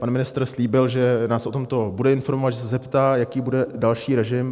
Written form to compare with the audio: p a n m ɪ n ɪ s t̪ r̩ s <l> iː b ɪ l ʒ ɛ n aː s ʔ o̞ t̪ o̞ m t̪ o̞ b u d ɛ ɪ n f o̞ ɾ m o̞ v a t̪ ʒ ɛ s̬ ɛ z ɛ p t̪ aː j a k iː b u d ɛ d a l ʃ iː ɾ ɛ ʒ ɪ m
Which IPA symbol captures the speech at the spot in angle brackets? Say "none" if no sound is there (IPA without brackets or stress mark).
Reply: l